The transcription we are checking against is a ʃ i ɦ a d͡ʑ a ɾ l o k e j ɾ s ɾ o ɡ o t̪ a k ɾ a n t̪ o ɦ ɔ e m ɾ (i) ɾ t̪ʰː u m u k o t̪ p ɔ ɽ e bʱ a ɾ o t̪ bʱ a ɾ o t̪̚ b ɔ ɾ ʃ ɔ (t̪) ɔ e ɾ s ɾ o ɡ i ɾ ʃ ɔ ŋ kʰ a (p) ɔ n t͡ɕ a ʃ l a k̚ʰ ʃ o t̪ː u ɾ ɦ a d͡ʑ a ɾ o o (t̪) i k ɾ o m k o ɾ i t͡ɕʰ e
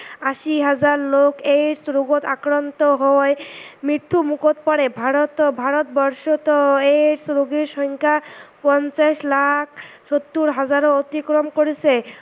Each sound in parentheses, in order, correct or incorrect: correct, correct, correct, correct

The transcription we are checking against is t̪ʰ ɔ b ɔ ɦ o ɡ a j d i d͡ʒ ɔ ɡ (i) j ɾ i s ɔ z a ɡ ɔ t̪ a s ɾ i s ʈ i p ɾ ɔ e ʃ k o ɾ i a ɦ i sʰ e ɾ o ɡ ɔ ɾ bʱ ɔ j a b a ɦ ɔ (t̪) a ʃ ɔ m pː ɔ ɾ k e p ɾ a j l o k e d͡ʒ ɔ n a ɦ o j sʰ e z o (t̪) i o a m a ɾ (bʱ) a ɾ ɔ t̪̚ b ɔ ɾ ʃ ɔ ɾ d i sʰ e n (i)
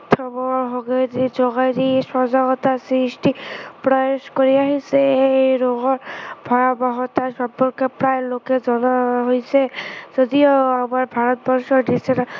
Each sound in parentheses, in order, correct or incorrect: incorrect, correct, incorrect, correct, incorrect

